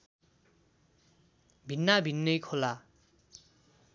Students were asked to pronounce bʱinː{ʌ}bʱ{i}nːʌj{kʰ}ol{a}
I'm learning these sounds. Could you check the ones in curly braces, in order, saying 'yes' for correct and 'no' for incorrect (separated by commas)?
no, yes, yes, yes